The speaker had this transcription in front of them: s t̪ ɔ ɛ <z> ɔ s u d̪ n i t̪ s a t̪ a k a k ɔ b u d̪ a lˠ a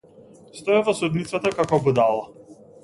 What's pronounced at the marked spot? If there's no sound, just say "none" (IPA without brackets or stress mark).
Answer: v